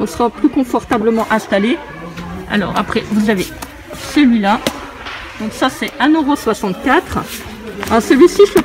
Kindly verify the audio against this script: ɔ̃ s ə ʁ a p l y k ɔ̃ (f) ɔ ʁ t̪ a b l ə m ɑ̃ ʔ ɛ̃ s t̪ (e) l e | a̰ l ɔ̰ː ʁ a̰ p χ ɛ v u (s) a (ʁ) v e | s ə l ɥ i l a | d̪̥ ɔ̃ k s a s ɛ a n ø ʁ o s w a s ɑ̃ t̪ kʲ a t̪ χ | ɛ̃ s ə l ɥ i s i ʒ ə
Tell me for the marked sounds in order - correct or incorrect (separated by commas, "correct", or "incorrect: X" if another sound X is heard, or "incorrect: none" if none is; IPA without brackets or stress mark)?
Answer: correct, incorrect: a, incorrect: z, incorrect: none